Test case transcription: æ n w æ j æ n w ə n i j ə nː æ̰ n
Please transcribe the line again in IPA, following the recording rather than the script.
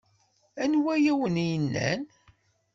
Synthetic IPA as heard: æ n w æ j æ w ə n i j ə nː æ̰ n